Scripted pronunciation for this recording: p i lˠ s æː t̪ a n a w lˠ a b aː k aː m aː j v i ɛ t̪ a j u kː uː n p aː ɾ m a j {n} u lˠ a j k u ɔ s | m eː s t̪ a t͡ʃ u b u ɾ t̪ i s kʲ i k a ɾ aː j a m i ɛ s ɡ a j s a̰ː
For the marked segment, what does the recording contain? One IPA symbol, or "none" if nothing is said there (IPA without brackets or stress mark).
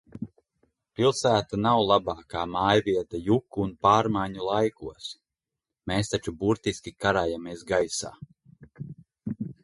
ɲ